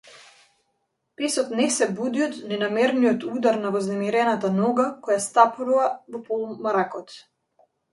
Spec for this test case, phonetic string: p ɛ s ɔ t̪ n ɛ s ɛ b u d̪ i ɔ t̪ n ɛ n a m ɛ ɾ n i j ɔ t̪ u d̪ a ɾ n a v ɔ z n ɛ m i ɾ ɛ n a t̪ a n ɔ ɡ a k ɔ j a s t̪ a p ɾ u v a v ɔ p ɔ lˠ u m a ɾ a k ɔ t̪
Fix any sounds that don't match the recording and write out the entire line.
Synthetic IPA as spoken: p ɛ s ɔ t̪ n ɛ s ɛ b u d̪ i ɔ t̪ n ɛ n a m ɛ ɾ n i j ɔ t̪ u d̪ a ɾ n a v ɔ z n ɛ m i ɾ ɛ n a t̪ a n ɔ ɡ a k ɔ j a s t̪ a p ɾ u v a v ɔ p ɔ lˠ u m a ɾ a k ɔ t̪

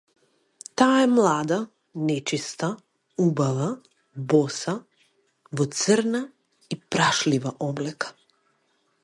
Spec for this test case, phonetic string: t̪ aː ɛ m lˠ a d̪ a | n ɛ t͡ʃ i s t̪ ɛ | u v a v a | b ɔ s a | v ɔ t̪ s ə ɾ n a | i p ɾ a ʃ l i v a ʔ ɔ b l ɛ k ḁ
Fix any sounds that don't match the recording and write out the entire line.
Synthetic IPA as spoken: t̪ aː ɛ m lˠ a d̪ a | n ɛ t͡ʃ i s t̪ a | u b a v a | b ɔ s a | v ɔ t̪ s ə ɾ n a | i p ɾ a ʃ l i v a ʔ ɔ b l ɛ k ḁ

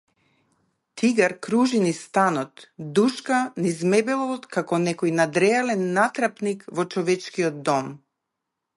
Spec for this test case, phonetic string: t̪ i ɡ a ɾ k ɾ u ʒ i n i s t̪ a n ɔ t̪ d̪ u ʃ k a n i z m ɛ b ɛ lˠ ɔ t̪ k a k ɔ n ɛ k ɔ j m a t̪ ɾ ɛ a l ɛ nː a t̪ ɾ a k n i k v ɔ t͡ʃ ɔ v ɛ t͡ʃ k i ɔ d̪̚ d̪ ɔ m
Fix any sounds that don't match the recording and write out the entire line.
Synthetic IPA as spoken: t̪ i ɡ a ɾ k ɾ u ʒ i n i s t̪ a n ɔ t̪ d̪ u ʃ k a n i z m ɛ b ɛ lˠ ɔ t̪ k a k ɔ n ɛ k ɔ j n a d̪ ɾ ɛ a l ɛ nː a t̪ ɾ a p n i k v ɔ t͡ʃ ɔ v ɛ t͡ʃ k i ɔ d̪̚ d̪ ɔ m

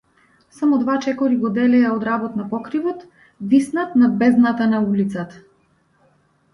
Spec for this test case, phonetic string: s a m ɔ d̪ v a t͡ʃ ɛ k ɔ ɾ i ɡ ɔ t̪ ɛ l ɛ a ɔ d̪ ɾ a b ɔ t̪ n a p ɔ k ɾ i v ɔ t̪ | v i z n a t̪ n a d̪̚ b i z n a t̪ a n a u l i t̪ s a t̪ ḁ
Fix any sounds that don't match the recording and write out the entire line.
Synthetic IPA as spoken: s a m ɔ d̪ v a t͡ʃ ɛ k ɔ ɾ i ɡ ɔ d̪ ɛ l ɛ a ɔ d̪ ɾ a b ɔ t̪ n a p ɔ k ɾ i v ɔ t̪ | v i s n a t̪ n a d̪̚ b ɛ z n a t̪ a n a u l i t̪ s a t̪ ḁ

